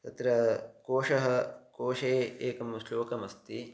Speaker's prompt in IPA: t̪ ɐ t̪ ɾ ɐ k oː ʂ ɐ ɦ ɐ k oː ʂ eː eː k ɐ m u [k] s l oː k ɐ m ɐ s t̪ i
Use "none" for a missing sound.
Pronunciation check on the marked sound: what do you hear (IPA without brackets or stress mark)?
none